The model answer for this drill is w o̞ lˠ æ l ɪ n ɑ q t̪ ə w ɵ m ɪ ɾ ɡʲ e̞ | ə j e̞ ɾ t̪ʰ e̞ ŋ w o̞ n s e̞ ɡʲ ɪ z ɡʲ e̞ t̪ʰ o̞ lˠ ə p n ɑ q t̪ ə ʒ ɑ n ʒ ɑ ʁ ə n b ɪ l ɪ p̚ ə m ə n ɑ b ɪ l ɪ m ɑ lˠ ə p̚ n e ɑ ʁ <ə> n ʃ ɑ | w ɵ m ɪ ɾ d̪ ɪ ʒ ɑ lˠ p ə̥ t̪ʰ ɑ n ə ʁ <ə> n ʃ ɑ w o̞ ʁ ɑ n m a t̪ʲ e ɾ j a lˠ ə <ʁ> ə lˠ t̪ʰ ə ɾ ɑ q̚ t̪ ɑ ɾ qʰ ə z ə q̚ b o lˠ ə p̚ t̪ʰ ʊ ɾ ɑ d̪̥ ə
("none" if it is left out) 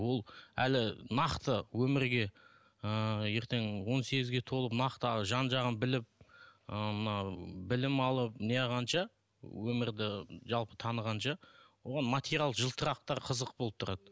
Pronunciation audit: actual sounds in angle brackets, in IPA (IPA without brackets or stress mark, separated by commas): ɑ, ɑ, ʒ